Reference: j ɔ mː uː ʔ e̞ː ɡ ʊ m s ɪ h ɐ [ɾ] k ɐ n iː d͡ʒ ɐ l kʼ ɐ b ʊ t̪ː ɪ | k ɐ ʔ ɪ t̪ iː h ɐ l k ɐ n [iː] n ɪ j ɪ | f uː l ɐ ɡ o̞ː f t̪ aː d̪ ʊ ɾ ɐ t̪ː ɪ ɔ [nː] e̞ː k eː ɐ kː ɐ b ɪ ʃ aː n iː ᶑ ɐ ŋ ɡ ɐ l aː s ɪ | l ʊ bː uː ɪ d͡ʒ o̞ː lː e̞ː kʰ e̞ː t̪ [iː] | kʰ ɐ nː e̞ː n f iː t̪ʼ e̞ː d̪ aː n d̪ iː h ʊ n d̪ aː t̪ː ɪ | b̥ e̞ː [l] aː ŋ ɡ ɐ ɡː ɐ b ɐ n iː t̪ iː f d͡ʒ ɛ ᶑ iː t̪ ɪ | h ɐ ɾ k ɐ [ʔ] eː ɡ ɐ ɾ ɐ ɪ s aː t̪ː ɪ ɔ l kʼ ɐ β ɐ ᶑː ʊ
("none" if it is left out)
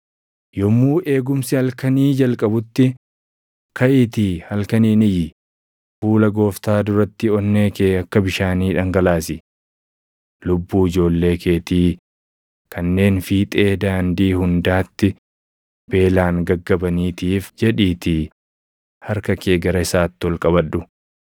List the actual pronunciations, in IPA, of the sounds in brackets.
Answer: l, iː, nː, iː, l, k

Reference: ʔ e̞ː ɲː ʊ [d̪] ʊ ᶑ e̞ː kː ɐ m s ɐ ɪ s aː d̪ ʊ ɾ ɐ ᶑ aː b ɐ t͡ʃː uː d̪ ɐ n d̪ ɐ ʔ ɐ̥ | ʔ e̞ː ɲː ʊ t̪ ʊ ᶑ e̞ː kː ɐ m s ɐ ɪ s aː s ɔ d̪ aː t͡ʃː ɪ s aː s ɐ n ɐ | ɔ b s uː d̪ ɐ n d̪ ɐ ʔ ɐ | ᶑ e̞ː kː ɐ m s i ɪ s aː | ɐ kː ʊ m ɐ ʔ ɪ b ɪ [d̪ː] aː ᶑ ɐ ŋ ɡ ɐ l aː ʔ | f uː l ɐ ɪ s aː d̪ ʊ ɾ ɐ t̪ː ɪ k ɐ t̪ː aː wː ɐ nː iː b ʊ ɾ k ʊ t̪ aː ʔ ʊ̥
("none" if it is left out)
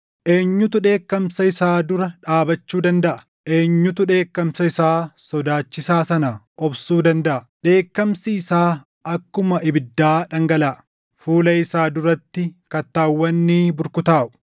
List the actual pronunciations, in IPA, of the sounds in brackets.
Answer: t̪, d̪ː

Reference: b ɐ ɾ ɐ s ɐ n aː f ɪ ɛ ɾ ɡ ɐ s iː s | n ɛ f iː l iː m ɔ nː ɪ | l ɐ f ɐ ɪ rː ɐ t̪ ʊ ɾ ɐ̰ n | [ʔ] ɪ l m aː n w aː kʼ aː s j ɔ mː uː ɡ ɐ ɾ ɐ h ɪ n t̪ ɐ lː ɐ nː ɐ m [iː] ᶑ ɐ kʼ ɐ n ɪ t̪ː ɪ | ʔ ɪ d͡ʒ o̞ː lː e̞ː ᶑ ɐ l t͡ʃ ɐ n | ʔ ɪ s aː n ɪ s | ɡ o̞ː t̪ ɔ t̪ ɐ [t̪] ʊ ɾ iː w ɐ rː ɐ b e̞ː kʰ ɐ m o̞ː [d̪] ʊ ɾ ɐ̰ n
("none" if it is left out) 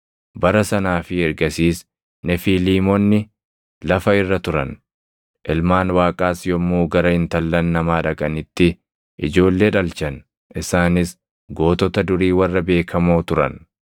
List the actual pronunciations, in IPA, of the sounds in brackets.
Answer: ʔ, aː, d̪, t̪

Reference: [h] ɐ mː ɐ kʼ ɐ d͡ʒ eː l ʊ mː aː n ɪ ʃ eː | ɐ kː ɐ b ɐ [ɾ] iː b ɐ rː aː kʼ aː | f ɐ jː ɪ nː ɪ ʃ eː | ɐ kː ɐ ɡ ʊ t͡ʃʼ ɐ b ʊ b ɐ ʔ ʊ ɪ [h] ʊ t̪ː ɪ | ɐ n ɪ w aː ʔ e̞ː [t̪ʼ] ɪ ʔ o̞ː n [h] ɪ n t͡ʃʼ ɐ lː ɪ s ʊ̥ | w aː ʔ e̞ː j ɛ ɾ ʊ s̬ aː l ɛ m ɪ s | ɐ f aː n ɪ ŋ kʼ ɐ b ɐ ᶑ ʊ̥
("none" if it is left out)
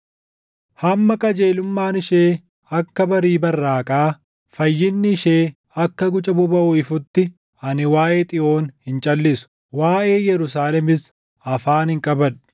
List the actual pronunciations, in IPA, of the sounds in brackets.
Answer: h, ɾ, f, t̪ʼ, h

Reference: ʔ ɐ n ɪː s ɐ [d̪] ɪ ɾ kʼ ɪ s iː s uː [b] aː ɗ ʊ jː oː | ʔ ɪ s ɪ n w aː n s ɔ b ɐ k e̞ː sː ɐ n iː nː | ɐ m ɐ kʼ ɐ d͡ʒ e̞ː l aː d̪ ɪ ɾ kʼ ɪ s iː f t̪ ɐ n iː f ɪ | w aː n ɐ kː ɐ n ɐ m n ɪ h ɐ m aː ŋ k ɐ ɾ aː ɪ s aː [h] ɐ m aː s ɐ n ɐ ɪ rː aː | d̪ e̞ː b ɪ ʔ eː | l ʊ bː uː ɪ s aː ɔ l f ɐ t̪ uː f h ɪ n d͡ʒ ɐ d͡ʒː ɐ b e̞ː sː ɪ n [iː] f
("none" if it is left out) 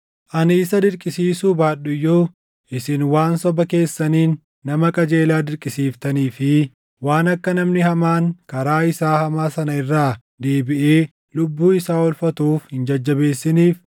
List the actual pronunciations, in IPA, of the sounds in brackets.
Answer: d̪, b, h, iː

